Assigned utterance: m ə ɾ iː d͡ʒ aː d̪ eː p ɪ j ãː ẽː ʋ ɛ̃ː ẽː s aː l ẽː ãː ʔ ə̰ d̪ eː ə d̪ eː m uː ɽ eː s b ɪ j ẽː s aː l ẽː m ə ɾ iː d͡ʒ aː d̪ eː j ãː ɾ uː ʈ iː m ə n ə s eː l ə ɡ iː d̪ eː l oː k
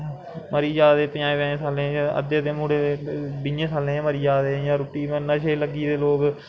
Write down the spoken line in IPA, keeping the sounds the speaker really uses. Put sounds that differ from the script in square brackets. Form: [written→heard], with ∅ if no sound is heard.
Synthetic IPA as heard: m ə ɾ iː d͡ʒ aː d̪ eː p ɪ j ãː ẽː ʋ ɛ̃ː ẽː s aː l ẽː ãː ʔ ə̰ d̪ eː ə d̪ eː m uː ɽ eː [s→∅] b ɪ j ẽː s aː l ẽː m ə ɾ iː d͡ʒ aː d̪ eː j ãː ɾ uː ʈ iː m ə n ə [s→ʃ] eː l ə ɡ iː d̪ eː l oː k